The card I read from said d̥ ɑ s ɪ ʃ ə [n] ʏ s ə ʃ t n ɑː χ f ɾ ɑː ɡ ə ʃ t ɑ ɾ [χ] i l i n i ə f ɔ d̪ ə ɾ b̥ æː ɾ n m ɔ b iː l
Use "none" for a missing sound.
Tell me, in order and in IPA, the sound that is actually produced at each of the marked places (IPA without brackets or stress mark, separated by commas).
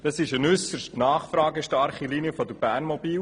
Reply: n, χ